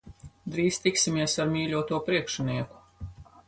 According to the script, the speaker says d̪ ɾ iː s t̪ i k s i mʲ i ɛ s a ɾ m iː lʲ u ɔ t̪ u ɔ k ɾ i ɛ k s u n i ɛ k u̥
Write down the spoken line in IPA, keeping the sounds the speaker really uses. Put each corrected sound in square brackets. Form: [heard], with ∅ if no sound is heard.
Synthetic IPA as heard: d̪ ɾ iː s t̪ i k s i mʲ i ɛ s a ɾ m iː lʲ u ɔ t̪ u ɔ [p] ɾ i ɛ k [ʃ] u n i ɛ k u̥